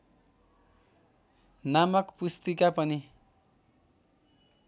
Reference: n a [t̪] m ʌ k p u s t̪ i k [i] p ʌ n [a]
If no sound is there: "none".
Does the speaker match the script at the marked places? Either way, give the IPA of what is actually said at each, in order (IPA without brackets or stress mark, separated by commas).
none, a, i